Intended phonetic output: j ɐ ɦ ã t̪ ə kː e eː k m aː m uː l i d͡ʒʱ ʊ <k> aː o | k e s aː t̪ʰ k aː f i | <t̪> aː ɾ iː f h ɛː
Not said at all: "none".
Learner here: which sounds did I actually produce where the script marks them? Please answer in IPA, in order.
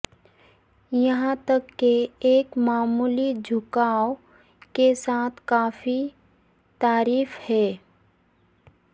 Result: k, t̪

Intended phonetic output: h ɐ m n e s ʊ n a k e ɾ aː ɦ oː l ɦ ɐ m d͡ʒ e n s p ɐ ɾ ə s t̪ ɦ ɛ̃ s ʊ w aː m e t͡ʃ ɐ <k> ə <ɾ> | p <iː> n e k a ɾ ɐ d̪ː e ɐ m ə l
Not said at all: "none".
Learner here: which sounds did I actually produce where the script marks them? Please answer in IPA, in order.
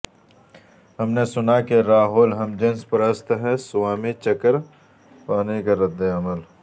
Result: k, ɾ, aː

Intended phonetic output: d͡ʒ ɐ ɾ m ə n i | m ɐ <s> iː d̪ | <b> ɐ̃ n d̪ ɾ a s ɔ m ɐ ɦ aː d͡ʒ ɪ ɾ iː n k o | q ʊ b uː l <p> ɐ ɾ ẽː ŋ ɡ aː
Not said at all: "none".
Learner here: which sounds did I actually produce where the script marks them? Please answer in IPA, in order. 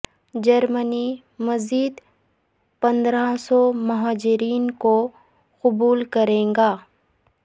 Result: z, p, k

